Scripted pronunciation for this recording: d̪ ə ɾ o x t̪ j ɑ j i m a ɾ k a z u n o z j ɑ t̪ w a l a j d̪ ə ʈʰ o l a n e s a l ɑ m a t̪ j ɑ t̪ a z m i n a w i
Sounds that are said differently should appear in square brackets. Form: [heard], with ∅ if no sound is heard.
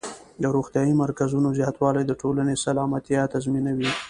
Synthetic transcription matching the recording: d̪ ə ɾ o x t̪ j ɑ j i m a ɾ k a z u n o z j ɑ t̪ w [ɑ] l a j d̪ ə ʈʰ o l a n e s a l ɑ m a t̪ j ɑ t̪ a z m i n a w i